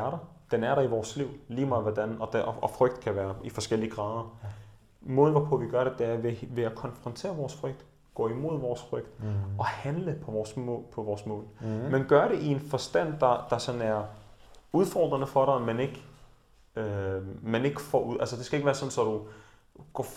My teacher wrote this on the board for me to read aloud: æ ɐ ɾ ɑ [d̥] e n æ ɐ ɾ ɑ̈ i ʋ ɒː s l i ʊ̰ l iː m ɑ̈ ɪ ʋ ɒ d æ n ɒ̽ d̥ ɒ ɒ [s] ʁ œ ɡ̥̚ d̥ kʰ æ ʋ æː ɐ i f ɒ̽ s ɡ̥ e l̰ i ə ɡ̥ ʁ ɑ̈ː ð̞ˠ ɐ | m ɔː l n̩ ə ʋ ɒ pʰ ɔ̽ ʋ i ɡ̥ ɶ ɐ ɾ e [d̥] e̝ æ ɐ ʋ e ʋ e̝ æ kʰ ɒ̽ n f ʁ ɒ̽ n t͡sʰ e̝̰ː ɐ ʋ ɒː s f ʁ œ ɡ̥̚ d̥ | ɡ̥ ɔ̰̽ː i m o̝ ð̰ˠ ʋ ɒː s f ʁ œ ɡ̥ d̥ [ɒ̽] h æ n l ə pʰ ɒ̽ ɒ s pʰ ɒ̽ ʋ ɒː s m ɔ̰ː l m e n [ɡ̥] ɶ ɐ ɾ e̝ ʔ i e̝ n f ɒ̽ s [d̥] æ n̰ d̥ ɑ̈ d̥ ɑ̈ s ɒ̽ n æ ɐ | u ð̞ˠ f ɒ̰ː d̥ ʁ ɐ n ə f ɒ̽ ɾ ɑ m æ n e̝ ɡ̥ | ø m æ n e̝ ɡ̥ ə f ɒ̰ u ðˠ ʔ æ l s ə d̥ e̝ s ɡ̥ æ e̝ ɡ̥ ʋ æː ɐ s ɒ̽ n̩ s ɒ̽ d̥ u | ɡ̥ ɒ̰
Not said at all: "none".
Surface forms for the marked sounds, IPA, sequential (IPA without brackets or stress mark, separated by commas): d̥, f, d̥, ɒ̽, ɡ̥, d̥